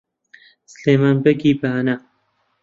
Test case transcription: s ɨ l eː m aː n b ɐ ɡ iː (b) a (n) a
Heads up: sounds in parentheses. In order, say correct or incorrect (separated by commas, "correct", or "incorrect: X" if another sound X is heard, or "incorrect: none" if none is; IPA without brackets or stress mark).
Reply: correct, correct